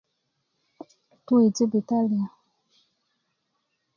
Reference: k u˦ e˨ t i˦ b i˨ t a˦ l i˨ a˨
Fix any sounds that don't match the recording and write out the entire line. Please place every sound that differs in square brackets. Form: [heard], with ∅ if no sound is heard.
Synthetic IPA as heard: [t] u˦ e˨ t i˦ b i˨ t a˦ l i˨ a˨